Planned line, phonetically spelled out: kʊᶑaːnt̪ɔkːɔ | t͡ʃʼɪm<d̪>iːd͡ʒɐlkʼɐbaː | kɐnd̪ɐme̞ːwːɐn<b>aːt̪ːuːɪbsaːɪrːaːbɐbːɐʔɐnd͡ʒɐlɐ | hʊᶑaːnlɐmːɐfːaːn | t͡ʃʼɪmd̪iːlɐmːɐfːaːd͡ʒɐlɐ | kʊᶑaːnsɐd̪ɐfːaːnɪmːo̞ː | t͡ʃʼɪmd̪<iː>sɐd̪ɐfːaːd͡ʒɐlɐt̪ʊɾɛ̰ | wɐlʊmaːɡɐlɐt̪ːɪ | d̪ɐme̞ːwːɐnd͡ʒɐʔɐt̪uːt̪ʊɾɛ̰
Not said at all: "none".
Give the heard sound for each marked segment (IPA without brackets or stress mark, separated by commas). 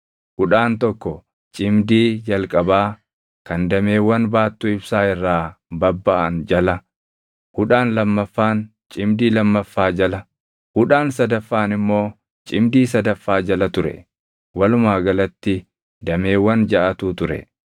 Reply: d̪, b, iː